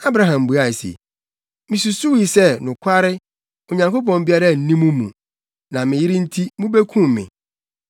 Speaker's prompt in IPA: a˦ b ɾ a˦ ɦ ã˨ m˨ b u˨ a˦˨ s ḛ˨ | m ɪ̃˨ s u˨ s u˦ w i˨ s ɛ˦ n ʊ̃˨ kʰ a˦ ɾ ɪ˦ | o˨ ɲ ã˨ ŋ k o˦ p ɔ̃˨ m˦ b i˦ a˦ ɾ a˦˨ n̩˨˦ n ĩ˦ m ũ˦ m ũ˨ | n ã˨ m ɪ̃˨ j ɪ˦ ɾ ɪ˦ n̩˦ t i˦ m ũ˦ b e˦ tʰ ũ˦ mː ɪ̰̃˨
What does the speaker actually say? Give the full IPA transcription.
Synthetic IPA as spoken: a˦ b ɾ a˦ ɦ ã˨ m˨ b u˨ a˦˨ s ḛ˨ | m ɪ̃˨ s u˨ s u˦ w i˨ s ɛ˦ n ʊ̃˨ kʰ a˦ ɾ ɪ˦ | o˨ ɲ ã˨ ŋ k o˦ p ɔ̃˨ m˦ b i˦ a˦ ɾ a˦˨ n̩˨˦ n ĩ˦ m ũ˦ m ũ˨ | n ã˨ m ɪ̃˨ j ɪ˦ ɾ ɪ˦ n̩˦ tʰ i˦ m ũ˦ b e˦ kʰ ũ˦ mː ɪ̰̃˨